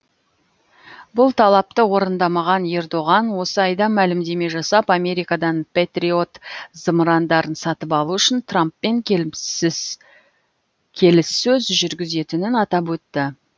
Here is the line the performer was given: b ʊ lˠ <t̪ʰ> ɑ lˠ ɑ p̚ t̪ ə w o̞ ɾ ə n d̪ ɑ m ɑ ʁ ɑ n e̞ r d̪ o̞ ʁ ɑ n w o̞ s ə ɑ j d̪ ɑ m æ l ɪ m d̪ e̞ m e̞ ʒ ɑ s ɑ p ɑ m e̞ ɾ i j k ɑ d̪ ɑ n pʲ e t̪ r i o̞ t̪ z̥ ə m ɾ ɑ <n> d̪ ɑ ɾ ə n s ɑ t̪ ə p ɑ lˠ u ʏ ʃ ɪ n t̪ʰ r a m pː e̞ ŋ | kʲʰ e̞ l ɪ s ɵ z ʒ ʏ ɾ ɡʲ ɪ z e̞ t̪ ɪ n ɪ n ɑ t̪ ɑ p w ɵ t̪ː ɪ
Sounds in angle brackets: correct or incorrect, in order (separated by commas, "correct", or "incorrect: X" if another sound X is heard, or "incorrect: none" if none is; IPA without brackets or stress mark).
correct, correct